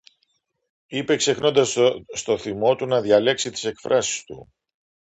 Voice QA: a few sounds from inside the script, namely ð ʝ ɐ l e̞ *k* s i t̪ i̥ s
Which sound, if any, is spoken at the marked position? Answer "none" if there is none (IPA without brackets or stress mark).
k